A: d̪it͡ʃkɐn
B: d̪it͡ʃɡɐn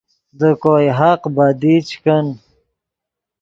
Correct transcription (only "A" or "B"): A